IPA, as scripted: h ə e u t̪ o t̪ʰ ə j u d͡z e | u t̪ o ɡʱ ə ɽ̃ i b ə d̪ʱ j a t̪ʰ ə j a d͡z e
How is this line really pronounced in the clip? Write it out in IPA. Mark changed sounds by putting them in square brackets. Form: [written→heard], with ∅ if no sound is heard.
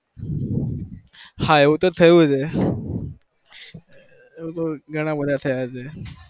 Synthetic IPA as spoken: h [ə→a] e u t̪ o t̪ʰ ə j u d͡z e | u t̪ o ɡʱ ə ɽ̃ [i→a] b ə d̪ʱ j a t̪ʰ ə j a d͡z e